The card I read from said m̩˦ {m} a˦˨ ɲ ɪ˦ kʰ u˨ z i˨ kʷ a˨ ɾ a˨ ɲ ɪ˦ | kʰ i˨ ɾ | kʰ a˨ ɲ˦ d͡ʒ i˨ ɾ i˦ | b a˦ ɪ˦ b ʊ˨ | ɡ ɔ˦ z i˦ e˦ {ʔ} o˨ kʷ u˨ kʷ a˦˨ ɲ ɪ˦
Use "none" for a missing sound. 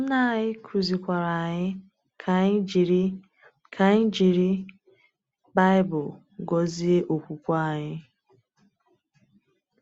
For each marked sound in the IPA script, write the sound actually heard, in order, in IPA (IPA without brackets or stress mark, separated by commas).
n, ʔ